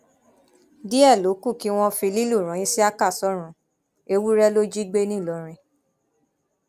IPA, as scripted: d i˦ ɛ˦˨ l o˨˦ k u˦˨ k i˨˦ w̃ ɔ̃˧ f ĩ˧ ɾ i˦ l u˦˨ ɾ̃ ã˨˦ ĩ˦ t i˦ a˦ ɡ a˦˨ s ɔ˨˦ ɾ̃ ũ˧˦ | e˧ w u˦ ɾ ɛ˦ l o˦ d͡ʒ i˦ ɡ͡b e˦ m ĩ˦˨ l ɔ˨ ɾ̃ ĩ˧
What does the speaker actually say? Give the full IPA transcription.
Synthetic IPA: d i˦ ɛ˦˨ l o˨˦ k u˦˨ k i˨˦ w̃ ɔ̃˧ f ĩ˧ l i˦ l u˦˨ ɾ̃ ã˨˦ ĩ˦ s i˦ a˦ k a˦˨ s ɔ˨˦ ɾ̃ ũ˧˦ | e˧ w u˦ ɾ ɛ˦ l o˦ d͡ʒ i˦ ɡ͡b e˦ n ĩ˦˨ l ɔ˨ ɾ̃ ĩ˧